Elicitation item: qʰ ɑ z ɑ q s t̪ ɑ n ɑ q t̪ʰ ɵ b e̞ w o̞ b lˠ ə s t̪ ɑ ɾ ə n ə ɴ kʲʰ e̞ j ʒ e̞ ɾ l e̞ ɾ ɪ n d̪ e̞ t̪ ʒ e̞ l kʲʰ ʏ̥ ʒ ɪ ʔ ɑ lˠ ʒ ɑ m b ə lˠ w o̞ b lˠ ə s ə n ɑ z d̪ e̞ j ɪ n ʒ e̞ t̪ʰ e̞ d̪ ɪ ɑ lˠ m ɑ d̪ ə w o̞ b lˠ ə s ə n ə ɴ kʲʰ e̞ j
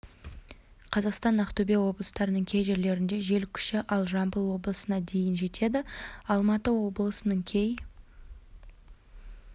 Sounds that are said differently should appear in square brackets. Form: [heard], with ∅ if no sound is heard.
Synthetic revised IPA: qʰ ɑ z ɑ q s t̪ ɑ n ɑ q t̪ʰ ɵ b e̞ w o̞ b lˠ ə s t̪ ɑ ɾ ə n ə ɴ kʲʰ e̞ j ʒ e̞ ɾ l e̞ ɾ ɪ n d̪ e̞ [∅] ʒ e̞ l kʲʰ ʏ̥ [ʃ] ɪ ʔ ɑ lˠ ʒ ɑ m b ə lˠ w o̞ b lˠ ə s ə n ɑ [∅] d̪ e̞ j ɪ n ʒ e̞ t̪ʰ e̞ d̪ ɪ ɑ lˠ m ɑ [t̪] ə w o̞ b lˠ ə s ə n ə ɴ kʲʰ e̞ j